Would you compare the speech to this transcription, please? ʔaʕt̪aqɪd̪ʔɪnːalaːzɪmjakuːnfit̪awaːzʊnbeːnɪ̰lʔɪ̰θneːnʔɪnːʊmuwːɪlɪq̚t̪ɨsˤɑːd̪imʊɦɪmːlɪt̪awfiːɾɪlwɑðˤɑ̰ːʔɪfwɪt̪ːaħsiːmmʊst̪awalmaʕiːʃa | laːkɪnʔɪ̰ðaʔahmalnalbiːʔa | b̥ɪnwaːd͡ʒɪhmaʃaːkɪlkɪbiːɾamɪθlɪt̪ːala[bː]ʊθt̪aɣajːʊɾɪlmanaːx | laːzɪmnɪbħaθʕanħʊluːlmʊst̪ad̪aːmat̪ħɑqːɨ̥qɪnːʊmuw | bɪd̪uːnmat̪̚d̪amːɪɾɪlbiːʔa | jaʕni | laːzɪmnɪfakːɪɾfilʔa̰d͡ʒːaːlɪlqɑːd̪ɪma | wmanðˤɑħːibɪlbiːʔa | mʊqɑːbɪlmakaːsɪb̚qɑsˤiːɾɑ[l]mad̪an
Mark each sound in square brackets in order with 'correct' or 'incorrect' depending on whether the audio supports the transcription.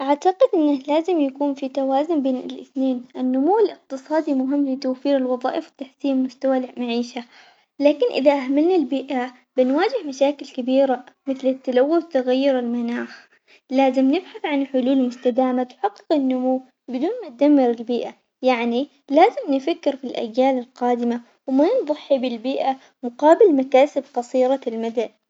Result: incorrect: wː, correct

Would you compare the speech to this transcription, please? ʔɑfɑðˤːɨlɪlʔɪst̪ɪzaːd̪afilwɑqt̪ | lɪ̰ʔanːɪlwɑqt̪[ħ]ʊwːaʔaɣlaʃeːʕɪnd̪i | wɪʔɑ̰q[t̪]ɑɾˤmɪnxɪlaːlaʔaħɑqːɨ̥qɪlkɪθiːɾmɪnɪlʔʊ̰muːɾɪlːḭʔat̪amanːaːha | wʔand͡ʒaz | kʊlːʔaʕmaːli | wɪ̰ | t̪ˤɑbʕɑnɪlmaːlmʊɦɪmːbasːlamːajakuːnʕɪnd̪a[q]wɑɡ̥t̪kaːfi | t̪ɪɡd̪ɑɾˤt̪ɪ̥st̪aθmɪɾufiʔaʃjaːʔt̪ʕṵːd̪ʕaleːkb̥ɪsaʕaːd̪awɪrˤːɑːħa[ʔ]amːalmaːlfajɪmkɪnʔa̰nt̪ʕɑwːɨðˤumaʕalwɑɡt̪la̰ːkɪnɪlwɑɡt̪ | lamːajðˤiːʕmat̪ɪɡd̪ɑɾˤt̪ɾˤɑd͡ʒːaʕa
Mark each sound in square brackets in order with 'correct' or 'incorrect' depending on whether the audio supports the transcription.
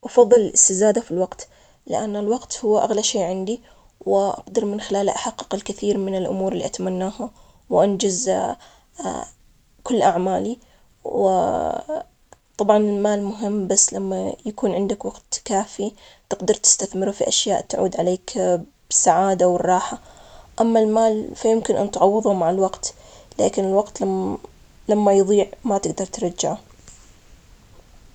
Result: incorrect: h, incorrect: d̪, incorrect: k, correct

